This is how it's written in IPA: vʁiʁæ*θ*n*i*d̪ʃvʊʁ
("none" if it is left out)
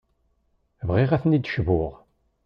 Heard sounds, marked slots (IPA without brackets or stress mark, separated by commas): θ, i